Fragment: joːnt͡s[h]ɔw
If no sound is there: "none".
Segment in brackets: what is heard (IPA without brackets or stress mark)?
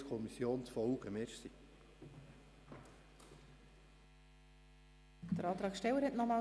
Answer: f